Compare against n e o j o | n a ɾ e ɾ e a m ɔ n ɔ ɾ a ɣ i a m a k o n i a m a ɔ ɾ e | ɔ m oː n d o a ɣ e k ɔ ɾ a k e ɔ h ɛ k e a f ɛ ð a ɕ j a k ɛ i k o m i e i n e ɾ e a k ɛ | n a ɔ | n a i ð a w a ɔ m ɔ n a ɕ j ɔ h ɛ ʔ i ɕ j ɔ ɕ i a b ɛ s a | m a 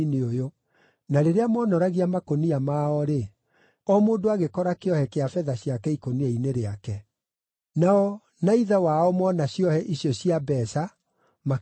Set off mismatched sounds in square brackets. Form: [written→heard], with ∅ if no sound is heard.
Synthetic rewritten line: n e o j o | n a ɾ e ɾ e a m ɔ n ɔ ɾ a ɣ i a m a k o n i a m a ɔ ɾ e | ɔ m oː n d o a ɣ e k ɔ ɾ a k e ɔ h ɛ k e a f ɛ ð a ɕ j a k ɛ i k o [m→n] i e i n e ɾ e a k ɛ | n a ɔ | n a i ð a w a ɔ m ɔ n a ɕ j ɔ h ɛ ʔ i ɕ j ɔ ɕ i a b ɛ s a | m a